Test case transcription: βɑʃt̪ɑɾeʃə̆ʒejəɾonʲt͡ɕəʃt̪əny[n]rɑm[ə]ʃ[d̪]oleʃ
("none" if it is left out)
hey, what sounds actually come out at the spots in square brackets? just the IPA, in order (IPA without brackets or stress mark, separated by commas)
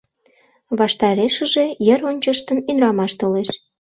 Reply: n, ɑ, t̪